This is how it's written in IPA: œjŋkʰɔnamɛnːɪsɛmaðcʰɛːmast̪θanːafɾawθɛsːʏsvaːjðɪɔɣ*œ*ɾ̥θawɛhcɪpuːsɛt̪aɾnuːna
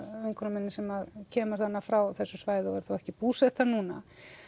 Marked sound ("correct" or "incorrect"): incorrect